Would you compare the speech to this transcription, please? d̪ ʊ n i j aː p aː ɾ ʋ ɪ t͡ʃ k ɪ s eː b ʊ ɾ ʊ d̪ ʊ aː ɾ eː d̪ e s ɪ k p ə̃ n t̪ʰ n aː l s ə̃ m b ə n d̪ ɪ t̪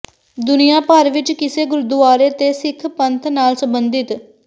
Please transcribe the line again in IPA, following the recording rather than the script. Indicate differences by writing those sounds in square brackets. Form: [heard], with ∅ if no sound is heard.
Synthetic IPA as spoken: d̪ ʊ n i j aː p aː ɾ ʋ ɪ t͡ʃ k ɪ s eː [ɡ] ʊ ɾ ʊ d̪ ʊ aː ɾ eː [t̪] e s ɪ [kʰ] p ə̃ n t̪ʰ n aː l s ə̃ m b ə n d̪ ɪ t̪